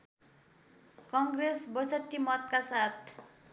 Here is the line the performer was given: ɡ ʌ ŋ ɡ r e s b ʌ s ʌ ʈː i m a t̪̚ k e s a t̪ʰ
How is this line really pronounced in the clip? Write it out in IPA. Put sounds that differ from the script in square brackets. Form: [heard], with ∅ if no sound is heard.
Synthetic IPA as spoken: [k] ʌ ŋ ɡ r e s b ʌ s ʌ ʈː i m [ʌ] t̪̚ k [a] s a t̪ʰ